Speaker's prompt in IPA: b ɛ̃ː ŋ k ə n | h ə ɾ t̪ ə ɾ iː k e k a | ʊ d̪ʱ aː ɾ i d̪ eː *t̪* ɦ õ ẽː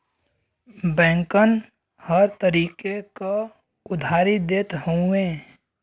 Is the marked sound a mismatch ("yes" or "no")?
no